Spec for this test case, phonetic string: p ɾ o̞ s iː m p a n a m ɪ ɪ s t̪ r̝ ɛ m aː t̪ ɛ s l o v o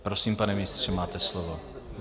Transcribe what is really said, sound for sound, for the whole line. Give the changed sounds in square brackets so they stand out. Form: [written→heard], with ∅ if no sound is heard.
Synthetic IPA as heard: p ɾ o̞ s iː m p a n [a→ɛ] m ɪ ɪ s t̪ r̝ ɛ m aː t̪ ɛ s l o v o